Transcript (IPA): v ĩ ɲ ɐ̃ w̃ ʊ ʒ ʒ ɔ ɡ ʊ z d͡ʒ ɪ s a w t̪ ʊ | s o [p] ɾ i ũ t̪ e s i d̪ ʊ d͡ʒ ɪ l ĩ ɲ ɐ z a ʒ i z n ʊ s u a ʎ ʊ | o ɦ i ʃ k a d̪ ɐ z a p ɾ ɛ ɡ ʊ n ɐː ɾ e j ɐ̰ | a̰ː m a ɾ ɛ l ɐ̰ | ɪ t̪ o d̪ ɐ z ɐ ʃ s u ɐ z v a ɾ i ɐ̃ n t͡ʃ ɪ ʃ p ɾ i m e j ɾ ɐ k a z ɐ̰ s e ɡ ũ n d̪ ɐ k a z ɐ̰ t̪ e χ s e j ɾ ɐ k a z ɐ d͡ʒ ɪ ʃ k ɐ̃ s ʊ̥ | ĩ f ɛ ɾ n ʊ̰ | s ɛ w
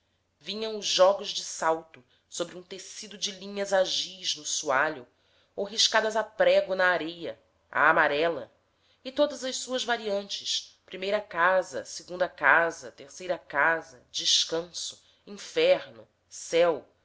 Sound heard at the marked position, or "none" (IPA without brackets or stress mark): b